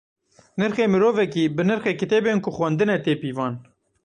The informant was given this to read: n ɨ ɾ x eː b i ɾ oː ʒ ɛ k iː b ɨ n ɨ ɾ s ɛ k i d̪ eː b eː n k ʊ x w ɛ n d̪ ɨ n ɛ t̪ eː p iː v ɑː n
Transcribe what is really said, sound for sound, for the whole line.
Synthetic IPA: n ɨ ɾ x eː m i ɾ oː v ɛ k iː b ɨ n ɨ ɾ x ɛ k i t̪ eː b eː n k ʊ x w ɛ n d̪ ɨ n ɛ t̪ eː p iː v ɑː n